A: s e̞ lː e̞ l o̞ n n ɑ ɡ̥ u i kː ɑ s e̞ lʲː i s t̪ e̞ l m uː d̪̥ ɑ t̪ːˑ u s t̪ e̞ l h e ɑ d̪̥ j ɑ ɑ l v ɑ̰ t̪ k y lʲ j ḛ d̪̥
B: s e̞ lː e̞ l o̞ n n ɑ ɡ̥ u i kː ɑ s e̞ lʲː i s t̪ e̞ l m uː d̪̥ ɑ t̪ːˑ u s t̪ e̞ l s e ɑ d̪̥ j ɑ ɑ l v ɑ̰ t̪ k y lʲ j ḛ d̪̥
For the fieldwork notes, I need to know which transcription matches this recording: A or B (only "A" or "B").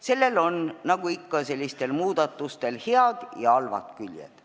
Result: A